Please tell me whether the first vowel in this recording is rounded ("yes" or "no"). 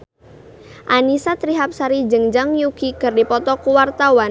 no